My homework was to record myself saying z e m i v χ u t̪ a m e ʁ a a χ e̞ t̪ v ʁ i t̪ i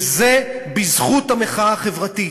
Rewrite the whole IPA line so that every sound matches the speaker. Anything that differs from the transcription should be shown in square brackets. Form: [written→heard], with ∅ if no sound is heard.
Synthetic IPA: z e [m→b] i [v→z] χ u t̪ a m e [ʁ→χ] a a χ e̞ [t̪→∅] v ʁ [i→a] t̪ i

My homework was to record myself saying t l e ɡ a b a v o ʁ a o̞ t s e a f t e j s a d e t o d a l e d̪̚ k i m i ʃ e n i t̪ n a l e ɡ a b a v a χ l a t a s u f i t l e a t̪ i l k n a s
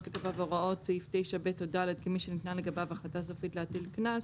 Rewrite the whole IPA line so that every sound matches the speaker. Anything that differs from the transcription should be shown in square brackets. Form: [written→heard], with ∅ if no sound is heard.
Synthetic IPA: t l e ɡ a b a v o ʁ a o̞ t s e [a→i] f t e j [s→ʃ] a [d→b] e t o d a l e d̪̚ k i m i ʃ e n i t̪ n a l e ɡ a b a v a χ l a t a s [u→o] f i t l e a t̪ i l k n a s

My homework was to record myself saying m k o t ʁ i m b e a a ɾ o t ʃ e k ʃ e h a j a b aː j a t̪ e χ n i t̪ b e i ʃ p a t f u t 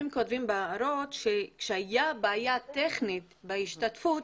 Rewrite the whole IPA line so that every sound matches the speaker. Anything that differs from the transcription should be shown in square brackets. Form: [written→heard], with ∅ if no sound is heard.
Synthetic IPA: m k o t [ʁ→v] i m b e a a ɾ o t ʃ e k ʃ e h a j a b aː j a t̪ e χ n i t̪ b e i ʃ [p→t] a t f u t

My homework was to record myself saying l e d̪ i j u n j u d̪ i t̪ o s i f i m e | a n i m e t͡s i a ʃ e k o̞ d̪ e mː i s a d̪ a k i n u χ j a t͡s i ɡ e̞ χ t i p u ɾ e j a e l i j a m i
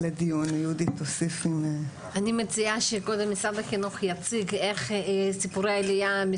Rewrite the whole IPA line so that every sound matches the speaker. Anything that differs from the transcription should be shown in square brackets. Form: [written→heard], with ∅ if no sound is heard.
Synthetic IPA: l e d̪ i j u n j u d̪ i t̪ o s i f i m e | a n i m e t͡s i a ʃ e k o̞ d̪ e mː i s a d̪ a k i n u χ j a t͡s i ɡ e̞ χ [t→s] i p u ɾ e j a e l i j a m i

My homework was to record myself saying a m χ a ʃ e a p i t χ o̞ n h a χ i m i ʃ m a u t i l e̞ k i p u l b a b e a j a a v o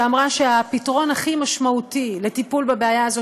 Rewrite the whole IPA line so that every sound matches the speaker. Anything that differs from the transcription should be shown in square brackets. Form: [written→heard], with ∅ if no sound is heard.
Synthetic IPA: a m [χ→ʁ] a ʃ e a p i t [χ→ʁ] o̞ n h a χ i m [i→a] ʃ m a u t i l e̞ [k→t] i p u l b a b e a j a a [v→z] o

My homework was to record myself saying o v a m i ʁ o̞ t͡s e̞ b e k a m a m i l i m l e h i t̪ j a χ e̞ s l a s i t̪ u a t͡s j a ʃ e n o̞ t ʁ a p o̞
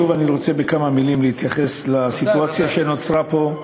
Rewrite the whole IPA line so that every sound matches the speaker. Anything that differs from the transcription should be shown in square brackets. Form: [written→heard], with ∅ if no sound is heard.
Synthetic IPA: [o→u] v a [m→n] i ʁ o̞ t͡s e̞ b e k a m a m i l i m l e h i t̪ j a χ e̞ s l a s i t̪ u a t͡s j a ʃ e n o̞ [t→t͡s] ʁ a p o̞

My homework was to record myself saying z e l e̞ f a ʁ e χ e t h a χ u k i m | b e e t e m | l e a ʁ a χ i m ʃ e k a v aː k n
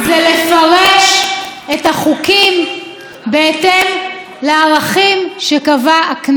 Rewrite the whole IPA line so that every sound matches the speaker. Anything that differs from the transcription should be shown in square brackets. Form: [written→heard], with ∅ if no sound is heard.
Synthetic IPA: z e l e̞ f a ʁ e [χ→ʃ] e t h a χ u k i m | b e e t e m | l e a ʁ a χ i m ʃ e k a v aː k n

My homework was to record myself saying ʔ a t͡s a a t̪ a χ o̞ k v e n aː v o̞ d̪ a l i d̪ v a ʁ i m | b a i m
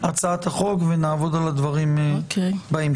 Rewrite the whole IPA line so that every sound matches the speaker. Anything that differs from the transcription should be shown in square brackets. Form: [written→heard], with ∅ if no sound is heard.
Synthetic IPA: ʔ a t͡s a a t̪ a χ o̞ k v e n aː v o̞ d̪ a l [i→a] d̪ v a ʁ i m | b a i m

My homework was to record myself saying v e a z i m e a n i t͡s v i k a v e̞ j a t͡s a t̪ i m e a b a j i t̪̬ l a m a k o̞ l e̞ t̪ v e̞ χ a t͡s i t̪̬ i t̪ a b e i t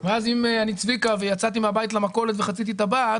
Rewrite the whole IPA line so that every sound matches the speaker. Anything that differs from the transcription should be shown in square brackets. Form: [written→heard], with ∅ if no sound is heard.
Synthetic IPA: v e a z i m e a n i t͡s v i k a v e̞ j a t͡s a t̪ i m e a b a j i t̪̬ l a m a k o̞ l e̞ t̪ v e̞ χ a t͡s i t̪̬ i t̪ a b [e→a] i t

